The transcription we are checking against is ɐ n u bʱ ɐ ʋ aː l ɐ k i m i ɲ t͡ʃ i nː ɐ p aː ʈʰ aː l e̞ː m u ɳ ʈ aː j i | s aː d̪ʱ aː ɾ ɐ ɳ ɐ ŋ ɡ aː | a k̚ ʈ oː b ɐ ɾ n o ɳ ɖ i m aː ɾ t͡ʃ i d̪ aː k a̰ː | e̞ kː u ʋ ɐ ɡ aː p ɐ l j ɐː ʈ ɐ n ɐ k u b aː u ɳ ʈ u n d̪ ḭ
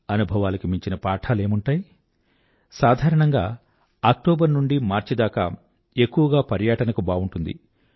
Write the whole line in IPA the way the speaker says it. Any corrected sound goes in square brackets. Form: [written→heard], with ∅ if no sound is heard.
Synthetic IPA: ɐ n u bʱ ɐ ʋ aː l ɐ k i m i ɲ t͡ʃ i [nː→n] ɐ p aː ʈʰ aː l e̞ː m u ɳ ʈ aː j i | s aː d̪ʱ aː ɾ ɐ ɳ ɐ ŋ ɡ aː | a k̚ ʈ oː b ɐ ɾ n [o→u] ɳ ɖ i m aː ɾ t͡ʃ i d̪ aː k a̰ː | e̞ kː u ʋ ɐ ɡ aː p ɐ [l→ɾ] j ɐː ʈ ɐ n ɐ k u b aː u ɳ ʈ u n d̪ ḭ